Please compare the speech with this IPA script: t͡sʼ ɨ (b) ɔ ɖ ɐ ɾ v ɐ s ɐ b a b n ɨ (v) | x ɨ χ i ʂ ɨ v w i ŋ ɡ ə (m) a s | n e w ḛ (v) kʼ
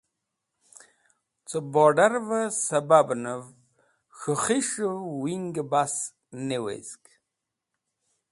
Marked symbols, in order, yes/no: yes, yes, no, no

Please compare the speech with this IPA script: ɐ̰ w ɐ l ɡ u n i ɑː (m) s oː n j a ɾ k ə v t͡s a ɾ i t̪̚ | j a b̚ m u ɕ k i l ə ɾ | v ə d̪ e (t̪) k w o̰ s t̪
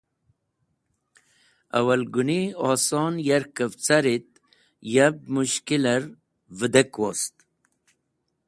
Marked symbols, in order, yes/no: no, no

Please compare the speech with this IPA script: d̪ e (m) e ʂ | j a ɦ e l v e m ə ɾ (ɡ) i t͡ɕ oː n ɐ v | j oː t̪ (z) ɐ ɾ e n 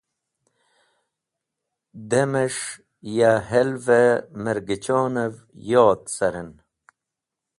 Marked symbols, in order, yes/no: yes, yes, no

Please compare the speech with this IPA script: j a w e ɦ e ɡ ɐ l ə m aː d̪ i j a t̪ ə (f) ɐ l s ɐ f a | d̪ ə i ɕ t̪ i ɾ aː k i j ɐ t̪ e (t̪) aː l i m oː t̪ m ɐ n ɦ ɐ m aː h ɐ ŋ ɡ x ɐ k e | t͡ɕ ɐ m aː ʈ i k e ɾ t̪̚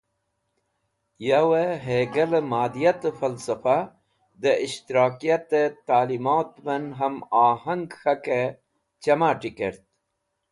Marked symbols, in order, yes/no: yes, yes

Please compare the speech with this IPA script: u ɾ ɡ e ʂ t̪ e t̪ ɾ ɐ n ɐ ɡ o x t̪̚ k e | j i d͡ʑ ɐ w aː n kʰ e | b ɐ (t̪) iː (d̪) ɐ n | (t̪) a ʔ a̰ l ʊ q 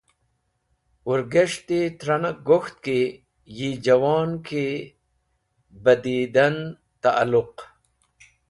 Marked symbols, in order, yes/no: no, yes, yes

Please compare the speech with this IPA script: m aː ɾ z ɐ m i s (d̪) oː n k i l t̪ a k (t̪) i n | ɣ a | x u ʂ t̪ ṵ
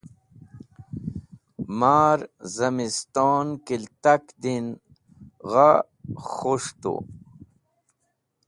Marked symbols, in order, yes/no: no, no

